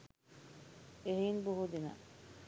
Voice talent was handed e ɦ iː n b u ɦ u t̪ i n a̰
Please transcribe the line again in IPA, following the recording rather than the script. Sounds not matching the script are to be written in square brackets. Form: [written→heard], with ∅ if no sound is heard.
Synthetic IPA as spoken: e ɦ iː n b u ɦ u [t̪→d̪] i n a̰

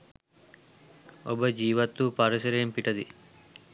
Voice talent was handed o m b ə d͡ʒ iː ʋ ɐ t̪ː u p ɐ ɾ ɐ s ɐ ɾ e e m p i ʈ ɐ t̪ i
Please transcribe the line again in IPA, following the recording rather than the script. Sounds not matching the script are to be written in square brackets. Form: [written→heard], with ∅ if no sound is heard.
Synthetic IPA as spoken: o [m→∅] b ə d͡ʒ iː ʋ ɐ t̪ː u p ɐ ɾ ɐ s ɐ ɾ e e m p i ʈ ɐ [t̪→d̪] i

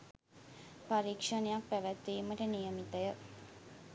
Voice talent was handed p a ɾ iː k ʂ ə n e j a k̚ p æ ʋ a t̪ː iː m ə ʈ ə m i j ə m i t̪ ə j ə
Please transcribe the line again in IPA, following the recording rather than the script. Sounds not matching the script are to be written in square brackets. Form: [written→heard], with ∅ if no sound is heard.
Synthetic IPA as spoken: p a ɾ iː k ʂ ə n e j a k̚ p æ ʋ [a→æ] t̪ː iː m ə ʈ ə [m→n] i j ə m i t̪ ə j ə

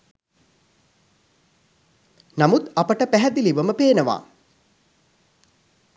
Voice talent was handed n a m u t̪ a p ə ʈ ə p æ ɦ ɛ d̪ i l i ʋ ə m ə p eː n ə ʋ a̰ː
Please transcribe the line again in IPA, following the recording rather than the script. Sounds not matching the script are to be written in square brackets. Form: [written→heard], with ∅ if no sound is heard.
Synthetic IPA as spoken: n a m u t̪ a p ə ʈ ə p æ ɦ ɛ d̪ i l i ʋ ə m ə p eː n ə ʋ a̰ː

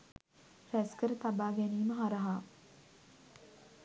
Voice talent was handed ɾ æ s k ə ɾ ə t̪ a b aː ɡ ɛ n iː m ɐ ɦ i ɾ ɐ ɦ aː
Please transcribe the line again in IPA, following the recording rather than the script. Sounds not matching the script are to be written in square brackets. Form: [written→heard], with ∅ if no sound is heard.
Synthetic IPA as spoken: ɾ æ s k ə ɾ ə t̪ a b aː ɡ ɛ n iː m [ɐ→ə] ɦ [i→a] ɾ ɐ ɦ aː

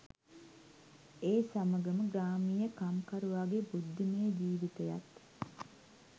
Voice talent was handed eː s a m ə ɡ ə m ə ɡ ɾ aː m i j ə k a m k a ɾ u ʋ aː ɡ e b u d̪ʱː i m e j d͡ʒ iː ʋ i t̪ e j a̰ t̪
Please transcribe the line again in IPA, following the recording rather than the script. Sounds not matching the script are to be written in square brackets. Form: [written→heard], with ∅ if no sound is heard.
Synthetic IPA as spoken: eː s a m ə ɡ ə m ə ɡ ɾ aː m i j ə k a m k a ɾ u ʋ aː ɡ e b u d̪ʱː i m e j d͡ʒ iː ʋ i t̪ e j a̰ t̪

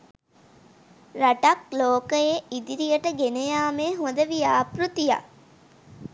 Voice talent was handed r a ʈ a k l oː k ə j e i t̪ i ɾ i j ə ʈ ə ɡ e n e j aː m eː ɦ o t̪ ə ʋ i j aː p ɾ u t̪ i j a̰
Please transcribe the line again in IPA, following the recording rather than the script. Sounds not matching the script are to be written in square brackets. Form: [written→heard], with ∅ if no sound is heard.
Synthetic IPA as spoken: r a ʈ a k l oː k ə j e i [t̪→d̪] i ɾ i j ə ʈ ə ɡ e n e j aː m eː ɦ o [t̪→d̪] ə ʋ i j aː p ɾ u t̪ i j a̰

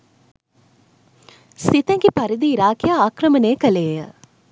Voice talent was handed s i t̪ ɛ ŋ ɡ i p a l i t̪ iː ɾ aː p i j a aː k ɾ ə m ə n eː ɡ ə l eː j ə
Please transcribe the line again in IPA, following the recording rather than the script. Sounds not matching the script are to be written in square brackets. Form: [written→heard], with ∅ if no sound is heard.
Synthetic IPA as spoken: s i t̪ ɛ ŋ ɡ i p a [l→ɾ] i [t̪→d̪] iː ɾ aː [p→k] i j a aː k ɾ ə m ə n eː [ɡ→k] ə l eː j ə

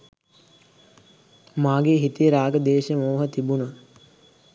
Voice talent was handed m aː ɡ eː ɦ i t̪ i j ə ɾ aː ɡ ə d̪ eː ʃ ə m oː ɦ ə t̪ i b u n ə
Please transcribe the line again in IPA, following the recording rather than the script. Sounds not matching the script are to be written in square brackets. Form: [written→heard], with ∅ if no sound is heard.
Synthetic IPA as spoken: m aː ɡ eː ɦ i t̪ i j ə ɾ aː ɡ ə d̪ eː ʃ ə m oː ɦ ə t̪ i b u n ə

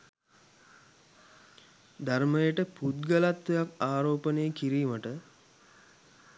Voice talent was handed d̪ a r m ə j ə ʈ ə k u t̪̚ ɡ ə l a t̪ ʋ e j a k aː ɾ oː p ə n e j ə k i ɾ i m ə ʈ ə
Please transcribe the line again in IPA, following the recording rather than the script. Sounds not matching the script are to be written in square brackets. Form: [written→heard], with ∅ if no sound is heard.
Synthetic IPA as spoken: d̪ a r m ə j ə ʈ ə [k→p] u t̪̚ ɡ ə l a t̪ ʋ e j a k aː ɾ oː p ə n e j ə k i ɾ [i→iː] m ə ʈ ə

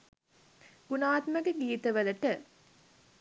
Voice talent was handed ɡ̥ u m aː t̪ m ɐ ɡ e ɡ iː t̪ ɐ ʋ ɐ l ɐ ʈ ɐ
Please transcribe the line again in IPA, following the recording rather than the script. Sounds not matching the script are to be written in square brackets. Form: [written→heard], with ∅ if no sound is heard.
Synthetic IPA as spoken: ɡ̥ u [m→n] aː t̪ m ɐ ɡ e ɡ iː t̪ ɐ ʋ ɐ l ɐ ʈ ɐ

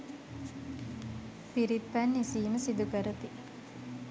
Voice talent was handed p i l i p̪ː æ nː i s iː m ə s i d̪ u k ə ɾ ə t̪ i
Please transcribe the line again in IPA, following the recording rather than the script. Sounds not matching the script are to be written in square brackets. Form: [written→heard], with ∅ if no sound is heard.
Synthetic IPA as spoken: p i [l→ɾ] i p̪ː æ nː i s iː m ə s i d̪ u k ə ɾ ə t̪ i

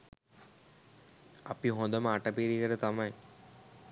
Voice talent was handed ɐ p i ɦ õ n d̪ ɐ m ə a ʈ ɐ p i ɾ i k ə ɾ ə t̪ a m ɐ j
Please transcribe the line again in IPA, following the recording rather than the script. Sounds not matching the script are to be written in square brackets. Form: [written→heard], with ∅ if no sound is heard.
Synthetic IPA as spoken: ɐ p i ɦ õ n d̪ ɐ m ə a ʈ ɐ p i ɾ i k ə ɾ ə t̪ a m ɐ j

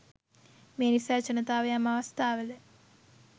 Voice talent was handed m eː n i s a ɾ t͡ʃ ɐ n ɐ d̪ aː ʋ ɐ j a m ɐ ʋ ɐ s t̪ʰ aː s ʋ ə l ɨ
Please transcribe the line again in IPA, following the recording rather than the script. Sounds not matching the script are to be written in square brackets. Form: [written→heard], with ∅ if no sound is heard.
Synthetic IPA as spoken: m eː n i s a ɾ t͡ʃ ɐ n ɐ [d̪→t̪] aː ʋ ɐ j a m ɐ ʋ ɐ s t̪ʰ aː [s→∅] ʋ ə l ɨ

